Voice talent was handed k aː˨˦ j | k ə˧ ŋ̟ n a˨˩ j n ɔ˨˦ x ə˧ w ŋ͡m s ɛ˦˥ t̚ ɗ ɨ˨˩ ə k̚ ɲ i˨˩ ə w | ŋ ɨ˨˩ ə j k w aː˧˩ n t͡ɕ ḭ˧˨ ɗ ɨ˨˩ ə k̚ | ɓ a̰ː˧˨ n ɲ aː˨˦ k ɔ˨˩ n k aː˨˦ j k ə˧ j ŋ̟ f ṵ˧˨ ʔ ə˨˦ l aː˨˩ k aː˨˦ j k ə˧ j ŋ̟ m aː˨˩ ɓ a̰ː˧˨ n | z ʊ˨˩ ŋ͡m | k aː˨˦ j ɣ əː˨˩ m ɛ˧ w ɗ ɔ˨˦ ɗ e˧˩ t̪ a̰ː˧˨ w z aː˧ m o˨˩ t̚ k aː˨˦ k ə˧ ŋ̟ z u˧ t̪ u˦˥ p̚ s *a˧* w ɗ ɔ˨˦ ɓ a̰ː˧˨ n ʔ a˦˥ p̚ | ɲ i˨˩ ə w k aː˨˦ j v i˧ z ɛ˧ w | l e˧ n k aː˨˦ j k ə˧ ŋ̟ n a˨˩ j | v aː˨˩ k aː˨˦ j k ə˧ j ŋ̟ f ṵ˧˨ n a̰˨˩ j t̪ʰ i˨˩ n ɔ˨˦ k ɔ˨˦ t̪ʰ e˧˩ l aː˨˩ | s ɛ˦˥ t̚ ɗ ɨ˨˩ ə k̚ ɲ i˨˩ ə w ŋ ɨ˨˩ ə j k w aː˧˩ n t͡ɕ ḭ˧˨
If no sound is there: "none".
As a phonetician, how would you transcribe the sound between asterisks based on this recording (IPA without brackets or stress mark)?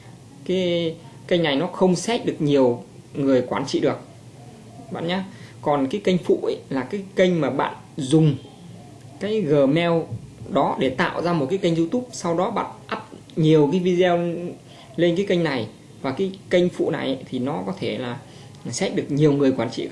a˧